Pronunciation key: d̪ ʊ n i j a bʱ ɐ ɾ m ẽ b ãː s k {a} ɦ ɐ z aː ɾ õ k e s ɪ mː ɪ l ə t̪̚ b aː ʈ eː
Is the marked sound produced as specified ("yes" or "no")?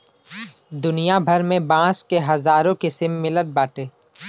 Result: no